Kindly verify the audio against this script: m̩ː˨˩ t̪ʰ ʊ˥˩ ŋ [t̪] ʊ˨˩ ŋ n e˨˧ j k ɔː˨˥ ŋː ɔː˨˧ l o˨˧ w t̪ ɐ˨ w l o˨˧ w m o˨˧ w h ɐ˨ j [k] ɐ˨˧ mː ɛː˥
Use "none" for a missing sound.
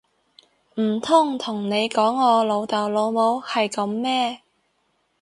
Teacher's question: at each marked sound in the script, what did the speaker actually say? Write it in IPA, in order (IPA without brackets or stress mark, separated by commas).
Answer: t̪ʰ, k